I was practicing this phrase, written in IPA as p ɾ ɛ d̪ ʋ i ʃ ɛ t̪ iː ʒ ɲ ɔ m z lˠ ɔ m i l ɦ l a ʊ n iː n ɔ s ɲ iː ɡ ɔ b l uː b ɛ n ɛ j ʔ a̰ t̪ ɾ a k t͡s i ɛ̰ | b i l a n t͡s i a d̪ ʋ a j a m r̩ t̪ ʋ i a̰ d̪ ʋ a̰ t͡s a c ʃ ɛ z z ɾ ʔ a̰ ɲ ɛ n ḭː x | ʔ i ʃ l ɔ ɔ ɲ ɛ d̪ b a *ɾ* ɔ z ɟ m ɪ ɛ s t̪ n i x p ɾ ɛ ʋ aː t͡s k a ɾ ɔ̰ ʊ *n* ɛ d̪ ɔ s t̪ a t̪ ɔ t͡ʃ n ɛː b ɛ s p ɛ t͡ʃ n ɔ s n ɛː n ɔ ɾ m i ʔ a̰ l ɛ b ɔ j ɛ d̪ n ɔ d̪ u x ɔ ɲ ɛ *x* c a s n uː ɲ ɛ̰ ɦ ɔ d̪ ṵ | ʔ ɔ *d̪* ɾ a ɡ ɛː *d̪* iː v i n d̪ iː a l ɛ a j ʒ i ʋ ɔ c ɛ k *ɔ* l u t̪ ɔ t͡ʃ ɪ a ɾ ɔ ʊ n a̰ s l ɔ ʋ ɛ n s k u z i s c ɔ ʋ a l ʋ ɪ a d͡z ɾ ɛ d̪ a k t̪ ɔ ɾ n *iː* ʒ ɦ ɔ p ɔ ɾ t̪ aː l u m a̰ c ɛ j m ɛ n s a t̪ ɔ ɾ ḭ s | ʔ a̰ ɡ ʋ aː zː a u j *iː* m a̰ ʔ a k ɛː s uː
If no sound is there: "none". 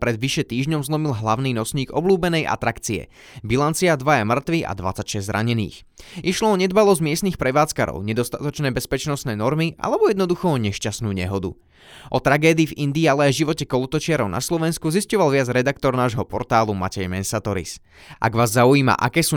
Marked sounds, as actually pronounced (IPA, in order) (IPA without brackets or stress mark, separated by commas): l, ɲ, ʃ, t̪, d̪, ɔ, aː, iː